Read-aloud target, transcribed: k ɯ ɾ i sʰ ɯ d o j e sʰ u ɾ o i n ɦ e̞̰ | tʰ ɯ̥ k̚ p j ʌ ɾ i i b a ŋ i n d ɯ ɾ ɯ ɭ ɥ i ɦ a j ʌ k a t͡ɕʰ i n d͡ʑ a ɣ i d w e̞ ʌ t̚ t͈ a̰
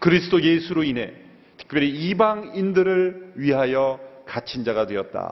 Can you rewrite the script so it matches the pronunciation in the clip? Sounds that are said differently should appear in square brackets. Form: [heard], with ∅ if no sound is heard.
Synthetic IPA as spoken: k ɯ ɾ i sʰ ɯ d o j e sʰ u ɾ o i n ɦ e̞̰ | tʰ ɯ̥ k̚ p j ʌ ɾ i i b a ŋ i n d ɯ ɾ ɯ ɭ ɥ i ɦ a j ʌ k a t͡ɕʰ i n d͡ʑ a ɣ [a] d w e̞ ʌ t̚ t͈ a̰